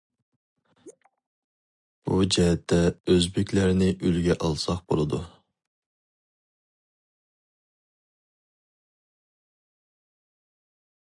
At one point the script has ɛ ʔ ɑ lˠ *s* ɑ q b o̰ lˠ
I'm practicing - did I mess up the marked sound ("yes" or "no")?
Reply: no